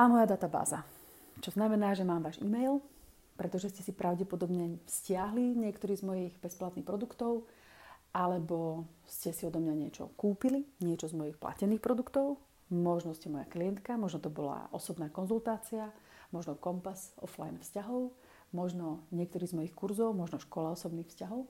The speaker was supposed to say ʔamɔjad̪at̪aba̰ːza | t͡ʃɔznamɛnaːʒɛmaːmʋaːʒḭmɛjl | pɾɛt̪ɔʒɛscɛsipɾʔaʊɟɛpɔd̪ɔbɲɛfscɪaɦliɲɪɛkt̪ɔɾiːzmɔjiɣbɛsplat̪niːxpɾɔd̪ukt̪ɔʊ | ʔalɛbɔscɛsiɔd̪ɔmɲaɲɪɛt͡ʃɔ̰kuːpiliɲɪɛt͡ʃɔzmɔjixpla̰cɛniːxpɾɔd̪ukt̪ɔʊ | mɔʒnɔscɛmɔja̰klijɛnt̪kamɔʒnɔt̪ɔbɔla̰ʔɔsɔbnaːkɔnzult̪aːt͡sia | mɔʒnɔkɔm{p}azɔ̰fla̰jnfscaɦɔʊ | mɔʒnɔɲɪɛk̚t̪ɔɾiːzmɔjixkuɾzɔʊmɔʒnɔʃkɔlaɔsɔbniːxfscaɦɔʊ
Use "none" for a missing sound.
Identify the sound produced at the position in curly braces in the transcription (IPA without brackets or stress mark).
p